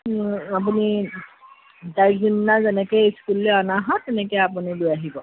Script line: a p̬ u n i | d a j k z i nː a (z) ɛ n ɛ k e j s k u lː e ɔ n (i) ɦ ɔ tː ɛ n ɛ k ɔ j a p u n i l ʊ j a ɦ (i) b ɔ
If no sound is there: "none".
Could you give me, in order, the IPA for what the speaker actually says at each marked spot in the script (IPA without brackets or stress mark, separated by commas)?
z, a, i